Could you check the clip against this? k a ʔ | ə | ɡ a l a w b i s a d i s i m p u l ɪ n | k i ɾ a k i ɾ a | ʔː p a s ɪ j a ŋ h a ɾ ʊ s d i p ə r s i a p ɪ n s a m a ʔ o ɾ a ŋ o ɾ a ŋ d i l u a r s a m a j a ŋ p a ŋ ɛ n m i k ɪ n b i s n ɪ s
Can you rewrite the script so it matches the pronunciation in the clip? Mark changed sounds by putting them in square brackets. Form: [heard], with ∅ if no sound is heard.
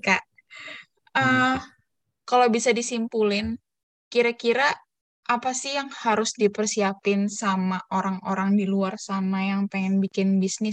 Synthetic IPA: k a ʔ | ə | [k] a l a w b i s a d i s i m p u l ɪ n | k i ɾ a k i ɾ a | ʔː p a s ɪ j a ŋ h a ɾ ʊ s d i p ə r s i a p ɪ n s a m a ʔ o ɾ a ŋ o ɾ a ŋ d i l u a r s a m a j a ŋ p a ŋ ɛ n [b] i k ɪ n b i s n ɪ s